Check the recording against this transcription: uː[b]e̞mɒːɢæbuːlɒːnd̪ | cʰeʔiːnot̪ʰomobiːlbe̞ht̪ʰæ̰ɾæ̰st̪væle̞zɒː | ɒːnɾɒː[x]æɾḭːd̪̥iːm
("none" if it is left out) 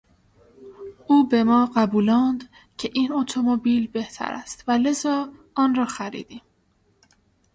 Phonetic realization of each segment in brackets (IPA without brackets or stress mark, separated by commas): b, x